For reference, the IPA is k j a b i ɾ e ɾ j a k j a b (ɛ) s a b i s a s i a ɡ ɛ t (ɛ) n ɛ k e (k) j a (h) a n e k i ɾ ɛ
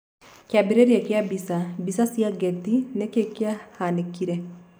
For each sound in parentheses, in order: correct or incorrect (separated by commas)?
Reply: incorrect, incorrect, correct, correct